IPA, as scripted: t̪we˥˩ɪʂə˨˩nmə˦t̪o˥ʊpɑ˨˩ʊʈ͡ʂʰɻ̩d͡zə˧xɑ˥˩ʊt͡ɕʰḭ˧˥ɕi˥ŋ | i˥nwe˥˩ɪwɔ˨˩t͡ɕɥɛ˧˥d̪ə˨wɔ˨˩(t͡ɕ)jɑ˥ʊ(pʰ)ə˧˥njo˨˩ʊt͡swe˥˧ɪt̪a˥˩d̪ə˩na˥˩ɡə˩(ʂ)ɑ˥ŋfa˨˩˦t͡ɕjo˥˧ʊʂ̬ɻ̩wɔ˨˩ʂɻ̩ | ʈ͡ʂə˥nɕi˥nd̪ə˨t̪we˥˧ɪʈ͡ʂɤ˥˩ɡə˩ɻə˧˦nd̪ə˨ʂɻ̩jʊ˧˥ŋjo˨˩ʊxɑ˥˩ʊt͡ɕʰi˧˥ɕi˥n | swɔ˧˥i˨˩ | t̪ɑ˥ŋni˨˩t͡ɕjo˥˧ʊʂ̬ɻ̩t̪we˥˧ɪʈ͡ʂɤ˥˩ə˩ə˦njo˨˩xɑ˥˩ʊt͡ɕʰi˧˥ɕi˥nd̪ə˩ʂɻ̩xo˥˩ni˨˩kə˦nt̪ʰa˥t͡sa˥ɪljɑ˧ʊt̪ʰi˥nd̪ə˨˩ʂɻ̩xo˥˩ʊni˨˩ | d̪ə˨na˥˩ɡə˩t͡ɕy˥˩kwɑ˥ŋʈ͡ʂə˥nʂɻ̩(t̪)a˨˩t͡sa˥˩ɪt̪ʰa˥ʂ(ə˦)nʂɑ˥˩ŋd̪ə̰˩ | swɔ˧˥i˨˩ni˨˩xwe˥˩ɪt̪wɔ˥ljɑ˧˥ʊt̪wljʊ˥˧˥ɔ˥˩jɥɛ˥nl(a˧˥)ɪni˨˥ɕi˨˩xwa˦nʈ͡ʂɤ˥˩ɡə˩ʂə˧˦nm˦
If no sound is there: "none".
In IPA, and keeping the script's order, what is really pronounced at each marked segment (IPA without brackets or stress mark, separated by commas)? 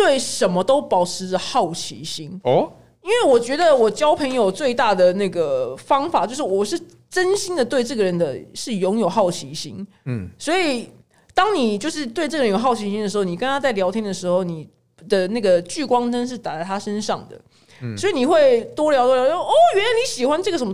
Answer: t͡ɕ, pʰ, f, t̪, ə˦, a˧